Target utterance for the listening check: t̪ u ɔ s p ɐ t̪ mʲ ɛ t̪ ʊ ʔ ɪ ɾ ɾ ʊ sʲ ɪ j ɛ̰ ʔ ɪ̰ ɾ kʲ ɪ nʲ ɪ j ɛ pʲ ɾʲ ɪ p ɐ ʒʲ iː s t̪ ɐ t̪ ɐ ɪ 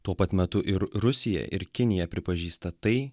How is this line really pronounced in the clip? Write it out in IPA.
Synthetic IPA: t̪ u ɔ p ɐ t̪ mʲ ɛ t̪ ʊ ʔ ɪ ɾ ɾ ʊ sʲ ɪ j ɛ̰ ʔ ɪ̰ ɾ kʲ ɪ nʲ ɪ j ɛ pʲ ɾʲ ɪ p ɐ ʒʲ iː s t̪ ɐ t̪ ɐ ɪ